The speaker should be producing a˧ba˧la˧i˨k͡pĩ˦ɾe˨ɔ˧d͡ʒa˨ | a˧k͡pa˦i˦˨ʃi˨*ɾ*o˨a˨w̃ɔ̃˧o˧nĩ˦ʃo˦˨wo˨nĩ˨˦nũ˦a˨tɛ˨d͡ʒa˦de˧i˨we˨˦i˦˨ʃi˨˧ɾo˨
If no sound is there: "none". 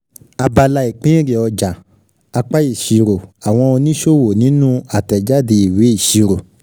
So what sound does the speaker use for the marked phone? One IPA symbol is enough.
ɾ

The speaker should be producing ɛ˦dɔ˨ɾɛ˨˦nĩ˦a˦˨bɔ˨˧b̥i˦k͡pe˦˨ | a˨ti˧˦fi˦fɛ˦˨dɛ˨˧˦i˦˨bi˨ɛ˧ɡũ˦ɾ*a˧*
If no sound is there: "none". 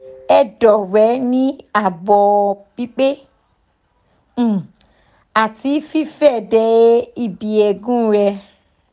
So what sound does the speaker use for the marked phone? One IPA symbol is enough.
ɛ˧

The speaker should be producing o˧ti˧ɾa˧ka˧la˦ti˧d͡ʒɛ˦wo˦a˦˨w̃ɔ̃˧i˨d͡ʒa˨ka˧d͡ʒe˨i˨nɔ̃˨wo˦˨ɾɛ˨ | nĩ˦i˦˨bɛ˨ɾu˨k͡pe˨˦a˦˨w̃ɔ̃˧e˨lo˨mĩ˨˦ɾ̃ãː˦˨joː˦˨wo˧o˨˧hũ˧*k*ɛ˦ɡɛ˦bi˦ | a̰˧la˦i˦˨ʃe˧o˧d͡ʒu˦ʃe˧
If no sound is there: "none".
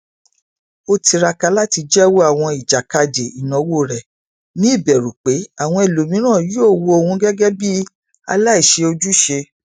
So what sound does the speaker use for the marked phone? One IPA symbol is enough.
ɡ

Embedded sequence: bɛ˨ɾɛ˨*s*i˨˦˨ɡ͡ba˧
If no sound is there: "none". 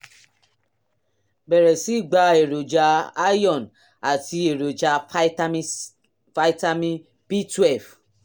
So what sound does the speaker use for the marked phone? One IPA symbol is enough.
s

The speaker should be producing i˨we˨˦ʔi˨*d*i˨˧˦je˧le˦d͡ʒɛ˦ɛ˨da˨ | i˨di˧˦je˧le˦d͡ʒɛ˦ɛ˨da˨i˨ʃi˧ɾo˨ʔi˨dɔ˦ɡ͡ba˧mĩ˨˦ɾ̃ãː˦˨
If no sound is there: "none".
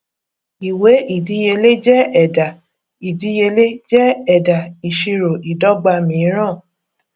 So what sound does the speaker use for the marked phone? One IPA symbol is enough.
d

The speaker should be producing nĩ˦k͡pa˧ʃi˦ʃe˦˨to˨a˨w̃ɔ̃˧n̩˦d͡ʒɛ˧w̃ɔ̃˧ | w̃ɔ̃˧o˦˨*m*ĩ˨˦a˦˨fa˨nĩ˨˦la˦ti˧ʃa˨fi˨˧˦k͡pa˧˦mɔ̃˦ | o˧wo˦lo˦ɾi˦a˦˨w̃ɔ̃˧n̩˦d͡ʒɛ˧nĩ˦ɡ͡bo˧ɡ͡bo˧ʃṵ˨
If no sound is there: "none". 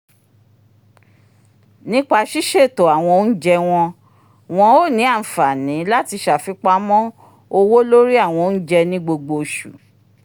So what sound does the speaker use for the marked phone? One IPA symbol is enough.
n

